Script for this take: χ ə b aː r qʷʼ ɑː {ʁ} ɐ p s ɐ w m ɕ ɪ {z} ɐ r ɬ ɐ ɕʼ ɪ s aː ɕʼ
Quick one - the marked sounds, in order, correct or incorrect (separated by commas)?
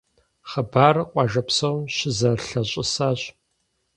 incorrect, correct